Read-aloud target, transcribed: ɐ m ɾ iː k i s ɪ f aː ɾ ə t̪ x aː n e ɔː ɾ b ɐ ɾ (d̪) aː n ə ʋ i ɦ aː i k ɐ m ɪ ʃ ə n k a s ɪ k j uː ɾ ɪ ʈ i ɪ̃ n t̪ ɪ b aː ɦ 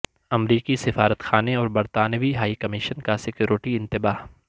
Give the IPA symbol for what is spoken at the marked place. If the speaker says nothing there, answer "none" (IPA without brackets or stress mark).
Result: t̪